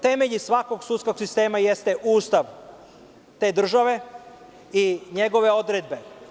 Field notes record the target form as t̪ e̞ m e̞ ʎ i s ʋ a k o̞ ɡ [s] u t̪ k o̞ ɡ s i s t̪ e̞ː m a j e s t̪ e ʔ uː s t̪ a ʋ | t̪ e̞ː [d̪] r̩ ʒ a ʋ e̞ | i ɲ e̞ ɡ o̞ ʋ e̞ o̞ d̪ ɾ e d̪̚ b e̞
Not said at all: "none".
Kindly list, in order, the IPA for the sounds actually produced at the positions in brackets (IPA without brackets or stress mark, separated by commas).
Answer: s, d̪